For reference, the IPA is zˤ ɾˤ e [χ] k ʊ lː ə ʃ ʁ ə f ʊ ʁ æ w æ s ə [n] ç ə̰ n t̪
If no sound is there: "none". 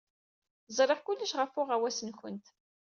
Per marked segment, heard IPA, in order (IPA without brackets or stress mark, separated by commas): ʁ, n